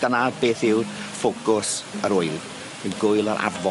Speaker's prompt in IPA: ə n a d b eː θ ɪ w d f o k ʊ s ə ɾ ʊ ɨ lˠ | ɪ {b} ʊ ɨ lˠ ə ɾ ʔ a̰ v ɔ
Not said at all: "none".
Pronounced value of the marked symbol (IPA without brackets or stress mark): ɡ